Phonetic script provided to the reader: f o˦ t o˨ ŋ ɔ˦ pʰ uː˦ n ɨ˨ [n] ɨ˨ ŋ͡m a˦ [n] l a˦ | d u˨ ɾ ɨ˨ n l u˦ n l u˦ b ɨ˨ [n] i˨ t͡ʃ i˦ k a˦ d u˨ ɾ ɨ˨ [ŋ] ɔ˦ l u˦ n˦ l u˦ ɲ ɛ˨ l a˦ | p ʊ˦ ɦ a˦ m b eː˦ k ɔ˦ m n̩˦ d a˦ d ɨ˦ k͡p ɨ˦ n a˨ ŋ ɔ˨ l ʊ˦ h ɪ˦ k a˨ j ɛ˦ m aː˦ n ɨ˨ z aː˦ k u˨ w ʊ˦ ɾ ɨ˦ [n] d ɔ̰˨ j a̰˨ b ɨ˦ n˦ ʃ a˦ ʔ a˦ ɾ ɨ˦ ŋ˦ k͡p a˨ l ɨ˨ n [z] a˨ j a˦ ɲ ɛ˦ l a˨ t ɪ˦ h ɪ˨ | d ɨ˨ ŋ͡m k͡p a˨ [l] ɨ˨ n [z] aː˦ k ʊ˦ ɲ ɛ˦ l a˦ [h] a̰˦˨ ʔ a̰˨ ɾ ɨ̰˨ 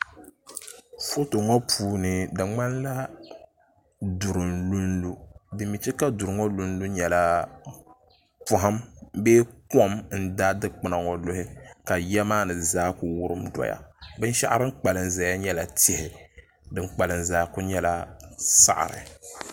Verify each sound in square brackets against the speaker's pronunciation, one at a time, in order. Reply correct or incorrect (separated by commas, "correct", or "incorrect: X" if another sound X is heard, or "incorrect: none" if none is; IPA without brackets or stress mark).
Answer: incorrect: d, correct, incorrect: m, correct, incorrect: m, correct, correct, correct, incorrect: s